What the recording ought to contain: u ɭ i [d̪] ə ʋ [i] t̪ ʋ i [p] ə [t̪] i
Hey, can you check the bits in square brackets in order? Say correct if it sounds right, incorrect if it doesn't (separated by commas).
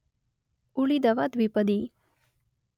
correct, incorrect, correct, incorrect